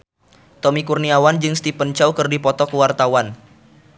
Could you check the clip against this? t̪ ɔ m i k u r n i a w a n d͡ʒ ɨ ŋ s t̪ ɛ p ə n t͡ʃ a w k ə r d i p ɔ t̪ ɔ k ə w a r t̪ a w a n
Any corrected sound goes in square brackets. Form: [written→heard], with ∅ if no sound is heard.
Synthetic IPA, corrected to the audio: t̪ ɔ m i k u r n i a w a n d͡ʒ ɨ ŋ s t̪ [ɛ→i] p ə n t͡ʃ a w k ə r d i p ɔ t̪ ɔ k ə w a r t̪ a w a n